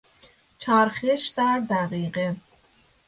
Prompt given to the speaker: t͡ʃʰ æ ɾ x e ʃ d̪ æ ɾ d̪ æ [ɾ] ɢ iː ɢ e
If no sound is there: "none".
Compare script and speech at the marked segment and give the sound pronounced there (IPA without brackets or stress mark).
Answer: none